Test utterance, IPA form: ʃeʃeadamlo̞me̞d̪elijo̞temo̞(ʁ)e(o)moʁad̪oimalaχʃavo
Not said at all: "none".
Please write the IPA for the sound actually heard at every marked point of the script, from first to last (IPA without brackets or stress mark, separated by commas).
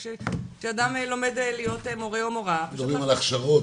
ʁ, o